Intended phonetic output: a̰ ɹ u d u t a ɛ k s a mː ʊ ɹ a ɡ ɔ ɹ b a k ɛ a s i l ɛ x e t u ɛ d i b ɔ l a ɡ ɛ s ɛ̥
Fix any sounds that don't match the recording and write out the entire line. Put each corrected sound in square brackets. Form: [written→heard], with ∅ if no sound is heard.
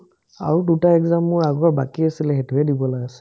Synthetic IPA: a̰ ɹ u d u t a ɛ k [s→z] a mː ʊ ɹ a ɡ ɔ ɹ b a k [ɛ→i] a s i l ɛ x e t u ɛ d i b ɔ l a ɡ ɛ s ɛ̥